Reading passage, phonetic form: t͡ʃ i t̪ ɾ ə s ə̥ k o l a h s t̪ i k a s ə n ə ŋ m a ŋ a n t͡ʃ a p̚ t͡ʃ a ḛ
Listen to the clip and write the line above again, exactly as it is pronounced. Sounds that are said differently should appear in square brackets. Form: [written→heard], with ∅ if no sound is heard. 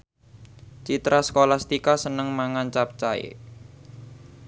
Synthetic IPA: t͡ʃ i t̪ ɾ [ə→a] s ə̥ k o l a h s t̪ i k a s ə n ə ŋ m a ŋ a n t͡ʃ a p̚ t͡ʃ a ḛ